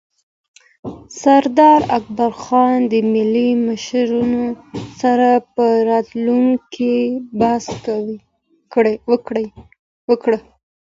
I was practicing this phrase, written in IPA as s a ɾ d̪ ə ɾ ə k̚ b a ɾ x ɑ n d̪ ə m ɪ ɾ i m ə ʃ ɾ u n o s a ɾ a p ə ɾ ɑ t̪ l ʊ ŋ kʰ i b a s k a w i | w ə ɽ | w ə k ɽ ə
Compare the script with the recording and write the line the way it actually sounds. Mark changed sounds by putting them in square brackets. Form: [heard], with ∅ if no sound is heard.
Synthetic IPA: s a ɾ d̪ [ɑ] ɾ [a] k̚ b a ɾ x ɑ n d̪ ə m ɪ [l] i m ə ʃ ɾ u n o s a ɾ a p ə ɾ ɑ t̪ l [u] ŋ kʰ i b a s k a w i | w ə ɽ | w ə k ɽ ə